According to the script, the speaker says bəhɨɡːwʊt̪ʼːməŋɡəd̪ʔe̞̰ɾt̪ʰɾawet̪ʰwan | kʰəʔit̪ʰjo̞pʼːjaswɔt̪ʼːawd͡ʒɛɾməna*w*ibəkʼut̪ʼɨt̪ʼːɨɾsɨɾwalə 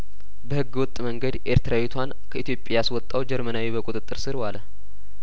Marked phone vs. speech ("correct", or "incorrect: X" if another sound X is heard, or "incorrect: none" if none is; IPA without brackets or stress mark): correct